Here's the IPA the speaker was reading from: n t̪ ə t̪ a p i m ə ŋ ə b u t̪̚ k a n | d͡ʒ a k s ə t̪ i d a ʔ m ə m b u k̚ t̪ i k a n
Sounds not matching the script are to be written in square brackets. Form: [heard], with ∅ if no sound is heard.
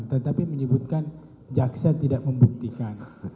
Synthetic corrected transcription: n t̪ ə t̪ a p i m ə [ɲ] ə b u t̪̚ k a n | d͡ʒ a k s [a] t̪ i d a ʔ m ə m b u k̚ t̪ i k a n